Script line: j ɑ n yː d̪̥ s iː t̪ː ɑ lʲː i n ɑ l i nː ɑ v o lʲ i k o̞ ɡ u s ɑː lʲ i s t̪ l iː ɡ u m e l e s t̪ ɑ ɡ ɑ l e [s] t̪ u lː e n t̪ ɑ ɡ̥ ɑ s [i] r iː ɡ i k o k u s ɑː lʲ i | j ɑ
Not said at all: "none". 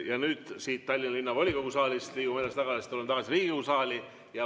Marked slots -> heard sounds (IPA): s, i

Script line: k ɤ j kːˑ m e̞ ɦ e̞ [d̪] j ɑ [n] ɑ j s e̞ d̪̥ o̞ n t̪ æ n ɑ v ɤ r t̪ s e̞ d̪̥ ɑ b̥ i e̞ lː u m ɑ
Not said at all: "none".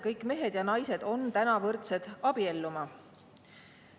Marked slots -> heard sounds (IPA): d̪, n

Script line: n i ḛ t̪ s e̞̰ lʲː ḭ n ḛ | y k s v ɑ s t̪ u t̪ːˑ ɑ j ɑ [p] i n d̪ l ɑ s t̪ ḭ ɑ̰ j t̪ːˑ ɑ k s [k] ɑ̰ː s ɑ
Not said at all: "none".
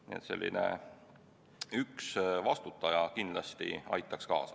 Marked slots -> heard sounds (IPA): k, k

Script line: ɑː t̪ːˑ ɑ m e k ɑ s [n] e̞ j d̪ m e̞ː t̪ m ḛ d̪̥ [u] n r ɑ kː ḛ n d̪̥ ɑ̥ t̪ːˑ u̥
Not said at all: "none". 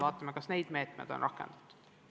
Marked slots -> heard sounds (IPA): n, o

